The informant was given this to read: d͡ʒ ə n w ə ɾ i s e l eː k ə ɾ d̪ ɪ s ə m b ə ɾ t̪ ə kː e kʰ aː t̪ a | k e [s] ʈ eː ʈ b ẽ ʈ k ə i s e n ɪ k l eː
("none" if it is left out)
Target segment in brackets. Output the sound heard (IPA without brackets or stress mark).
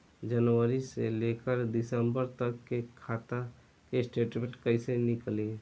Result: s